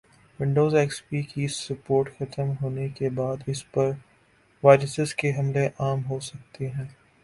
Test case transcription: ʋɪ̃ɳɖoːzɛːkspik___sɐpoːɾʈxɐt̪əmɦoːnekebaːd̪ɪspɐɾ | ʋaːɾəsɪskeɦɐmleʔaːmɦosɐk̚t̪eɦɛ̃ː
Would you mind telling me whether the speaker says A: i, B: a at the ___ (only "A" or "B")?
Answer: A